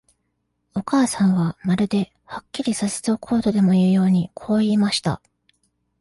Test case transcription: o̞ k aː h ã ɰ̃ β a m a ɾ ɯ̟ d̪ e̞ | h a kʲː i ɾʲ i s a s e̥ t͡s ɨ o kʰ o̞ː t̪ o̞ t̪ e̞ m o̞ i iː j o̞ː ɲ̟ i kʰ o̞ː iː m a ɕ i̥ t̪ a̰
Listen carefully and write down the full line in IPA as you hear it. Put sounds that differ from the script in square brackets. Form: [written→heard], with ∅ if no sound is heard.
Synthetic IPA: o̞ k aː [h→s] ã ɰ̃ β a m a ɾ ɯ̟ d̪ e̞ | h a kʲː i ɾʲ i s a s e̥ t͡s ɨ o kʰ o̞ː t̪ o̞ [t̪→d̪] e̞ m o̞ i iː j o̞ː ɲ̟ i kʰ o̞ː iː m a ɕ i̥ t̪ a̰